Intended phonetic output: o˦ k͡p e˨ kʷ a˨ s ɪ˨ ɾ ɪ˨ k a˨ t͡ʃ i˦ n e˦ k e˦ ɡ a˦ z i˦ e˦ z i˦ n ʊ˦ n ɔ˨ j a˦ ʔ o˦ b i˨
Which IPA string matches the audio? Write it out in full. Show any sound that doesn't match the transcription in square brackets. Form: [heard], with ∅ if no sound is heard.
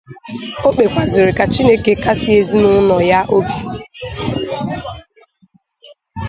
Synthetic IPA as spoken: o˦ k͡p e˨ kʷ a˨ [z] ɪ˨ ɾ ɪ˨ k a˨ t͡ʃ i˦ n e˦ k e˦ [k] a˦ [s] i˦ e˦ z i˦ n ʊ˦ n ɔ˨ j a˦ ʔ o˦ b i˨

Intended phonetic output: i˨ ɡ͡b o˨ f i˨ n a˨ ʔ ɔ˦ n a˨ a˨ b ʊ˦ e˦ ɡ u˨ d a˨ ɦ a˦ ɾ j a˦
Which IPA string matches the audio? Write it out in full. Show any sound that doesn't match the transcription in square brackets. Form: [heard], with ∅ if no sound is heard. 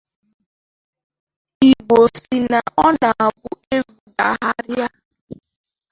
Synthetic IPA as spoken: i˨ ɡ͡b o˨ [s] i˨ n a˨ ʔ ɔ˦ n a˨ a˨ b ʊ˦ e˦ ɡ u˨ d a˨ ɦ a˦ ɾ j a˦

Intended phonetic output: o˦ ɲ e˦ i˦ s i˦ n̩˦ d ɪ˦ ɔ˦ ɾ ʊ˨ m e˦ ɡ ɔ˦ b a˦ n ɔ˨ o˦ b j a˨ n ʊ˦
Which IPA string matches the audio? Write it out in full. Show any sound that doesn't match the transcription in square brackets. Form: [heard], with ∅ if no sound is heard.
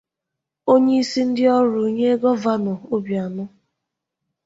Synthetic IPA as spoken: o˦ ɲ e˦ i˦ s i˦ n̩˦ d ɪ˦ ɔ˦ ɾ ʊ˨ [ɲ] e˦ ɡ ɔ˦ [v] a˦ n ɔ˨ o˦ b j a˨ n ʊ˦

